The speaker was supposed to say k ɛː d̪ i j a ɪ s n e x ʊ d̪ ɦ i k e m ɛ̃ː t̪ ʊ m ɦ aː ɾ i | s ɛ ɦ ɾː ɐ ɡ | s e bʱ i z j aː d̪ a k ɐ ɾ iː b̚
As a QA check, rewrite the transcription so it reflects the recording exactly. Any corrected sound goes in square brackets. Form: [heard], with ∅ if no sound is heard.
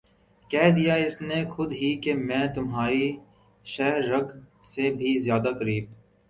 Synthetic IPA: k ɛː d̪ i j a ɪ s n e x ʊ d̪ ɦ i k e m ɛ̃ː t̪ ʊ m ɦ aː ɾ i | [ʃ] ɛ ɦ ɾː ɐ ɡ | s e bʱ i z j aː d̪ a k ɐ ɾ iː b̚